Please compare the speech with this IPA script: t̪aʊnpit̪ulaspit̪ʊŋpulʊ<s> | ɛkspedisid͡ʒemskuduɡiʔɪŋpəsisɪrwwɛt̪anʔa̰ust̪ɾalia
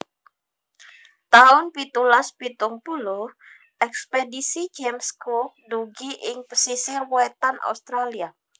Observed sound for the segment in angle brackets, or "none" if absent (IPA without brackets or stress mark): h